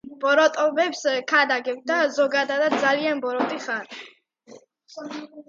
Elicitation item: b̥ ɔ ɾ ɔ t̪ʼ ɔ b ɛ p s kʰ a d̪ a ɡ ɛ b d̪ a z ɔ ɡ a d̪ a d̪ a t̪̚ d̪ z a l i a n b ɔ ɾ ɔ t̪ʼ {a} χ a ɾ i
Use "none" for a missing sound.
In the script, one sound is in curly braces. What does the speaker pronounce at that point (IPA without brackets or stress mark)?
i